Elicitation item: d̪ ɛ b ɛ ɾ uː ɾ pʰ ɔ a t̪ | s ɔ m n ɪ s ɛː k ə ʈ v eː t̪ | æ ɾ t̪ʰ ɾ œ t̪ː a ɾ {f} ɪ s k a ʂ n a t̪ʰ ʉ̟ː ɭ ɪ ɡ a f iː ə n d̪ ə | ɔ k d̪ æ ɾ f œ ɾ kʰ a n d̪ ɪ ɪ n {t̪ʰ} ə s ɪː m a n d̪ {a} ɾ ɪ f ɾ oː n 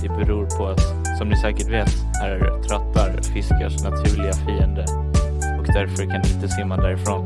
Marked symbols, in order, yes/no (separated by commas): yes, no, no